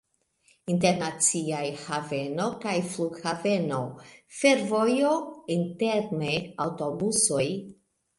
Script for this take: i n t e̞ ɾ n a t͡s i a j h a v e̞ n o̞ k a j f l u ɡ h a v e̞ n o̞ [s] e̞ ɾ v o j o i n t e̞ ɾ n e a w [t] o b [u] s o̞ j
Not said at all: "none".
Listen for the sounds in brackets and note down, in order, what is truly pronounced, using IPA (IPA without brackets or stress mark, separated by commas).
f, t, u